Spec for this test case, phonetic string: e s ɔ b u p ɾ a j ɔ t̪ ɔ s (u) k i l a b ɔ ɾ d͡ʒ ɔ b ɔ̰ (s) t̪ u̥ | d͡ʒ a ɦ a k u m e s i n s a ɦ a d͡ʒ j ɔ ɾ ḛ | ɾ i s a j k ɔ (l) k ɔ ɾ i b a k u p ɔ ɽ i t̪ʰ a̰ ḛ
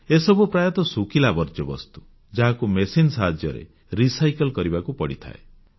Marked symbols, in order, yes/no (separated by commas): yes, yes, yes